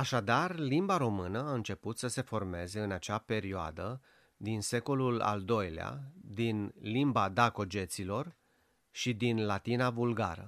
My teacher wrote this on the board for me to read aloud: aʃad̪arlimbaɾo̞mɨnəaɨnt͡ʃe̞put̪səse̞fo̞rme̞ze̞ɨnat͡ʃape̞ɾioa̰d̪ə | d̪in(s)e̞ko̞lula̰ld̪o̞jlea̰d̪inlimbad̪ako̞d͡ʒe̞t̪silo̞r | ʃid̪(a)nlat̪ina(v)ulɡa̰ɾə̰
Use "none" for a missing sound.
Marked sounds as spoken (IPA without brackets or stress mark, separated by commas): s, i, v